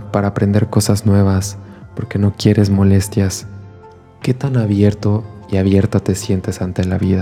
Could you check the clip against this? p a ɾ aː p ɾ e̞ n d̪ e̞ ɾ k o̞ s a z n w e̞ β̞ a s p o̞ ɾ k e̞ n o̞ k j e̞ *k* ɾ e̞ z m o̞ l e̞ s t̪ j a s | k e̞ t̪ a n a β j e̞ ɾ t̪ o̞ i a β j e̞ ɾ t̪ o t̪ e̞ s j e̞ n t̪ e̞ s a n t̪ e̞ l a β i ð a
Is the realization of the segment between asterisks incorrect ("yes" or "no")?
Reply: yes